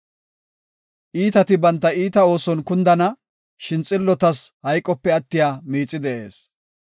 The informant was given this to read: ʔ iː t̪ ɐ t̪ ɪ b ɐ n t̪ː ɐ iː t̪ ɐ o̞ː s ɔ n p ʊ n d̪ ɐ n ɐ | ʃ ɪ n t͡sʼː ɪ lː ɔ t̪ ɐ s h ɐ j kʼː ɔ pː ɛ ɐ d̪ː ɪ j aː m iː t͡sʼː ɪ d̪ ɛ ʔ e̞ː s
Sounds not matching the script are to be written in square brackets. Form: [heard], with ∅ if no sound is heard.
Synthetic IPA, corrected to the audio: ʔ iː t̪ ɐ t̪ ɪ b ɐ n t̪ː ɐ iː t̪ ɐ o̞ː s ɔ n [k] ʊ n d̪ ɐ n ɐ | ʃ ɪ n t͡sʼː ɪ lː ɔ t̪ ɐ s h ɐ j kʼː ɔ pː ɛ ɐ [t̪ː] ɪ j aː m iː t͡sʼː ɪ d̪ ɛ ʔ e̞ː s